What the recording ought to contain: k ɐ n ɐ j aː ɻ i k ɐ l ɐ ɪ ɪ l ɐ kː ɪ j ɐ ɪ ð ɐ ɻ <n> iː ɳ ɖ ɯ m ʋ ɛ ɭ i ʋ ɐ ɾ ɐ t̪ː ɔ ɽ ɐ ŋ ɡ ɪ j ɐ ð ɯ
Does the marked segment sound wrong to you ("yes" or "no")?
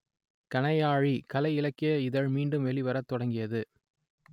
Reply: yes